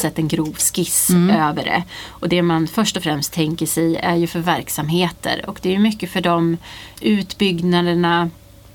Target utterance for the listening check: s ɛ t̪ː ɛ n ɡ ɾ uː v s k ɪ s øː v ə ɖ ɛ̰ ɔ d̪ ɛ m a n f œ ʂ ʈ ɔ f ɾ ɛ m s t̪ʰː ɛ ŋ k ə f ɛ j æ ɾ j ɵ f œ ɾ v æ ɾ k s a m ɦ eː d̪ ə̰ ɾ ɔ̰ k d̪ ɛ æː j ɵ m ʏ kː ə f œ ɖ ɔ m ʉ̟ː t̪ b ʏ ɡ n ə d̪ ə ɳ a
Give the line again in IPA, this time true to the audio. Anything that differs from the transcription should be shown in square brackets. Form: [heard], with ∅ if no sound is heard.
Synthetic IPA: s ɛ t̪ː ɛ n ɡ ɾ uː v s k ɪ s øː v ə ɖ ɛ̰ ɔ d̪ ɛ m a n f œ ʂ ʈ ɔ f ɾ ɛ m s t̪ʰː ɛ ŋ k ə [ʂ] ɛ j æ ɾ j ɵ f œ ɾ v æ ɾ k s a m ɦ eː [t̪] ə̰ ɾ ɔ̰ k d̪ ɛ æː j ɵ m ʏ kː ə f œ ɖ ɔ m ʉ̟ː t̪ b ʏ ɡ n [a] d̪ ə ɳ a